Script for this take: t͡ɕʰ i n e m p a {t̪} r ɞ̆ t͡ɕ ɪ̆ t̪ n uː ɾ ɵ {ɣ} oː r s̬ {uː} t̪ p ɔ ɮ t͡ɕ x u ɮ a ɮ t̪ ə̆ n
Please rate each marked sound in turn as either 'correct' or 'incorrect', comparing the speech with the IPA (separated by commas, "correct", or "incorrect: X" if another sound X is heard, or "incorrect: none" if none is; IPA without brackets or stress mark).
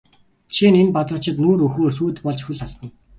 correct, incorrect: x, correct